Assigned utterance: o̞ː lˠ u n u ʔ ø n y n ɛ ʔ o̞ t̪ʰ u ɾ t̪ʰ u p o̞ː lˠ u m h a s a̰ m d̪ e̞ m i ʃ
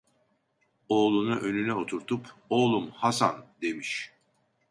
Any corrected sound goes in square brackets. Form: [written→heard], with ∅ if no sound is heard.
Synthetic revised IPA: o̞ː lˠ u n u ʔ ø n y n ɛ [ʔ→∅] o̞ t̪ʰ u ɾ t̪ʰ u p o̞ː lˠ u m h a s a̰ [m→n] d̪ e̞ m i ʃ